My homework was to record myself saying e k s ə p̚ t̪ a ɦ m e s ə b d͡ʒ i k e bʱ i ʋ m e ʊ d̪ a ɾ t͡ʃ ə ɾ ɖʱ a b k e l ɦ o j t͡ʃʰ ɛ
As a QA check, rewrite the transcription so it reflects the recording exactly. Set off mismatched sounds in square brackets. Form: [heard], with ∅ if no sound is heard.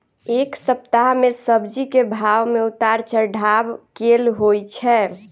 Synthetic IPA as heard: e k s ə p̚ t̪ a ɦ m e s ə b d͡ʒ i k e bʱ [a] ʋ m e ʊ [t̪] a ɾ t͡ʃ ə ɾ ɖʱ a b k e l ɦ o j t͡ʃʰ ɛ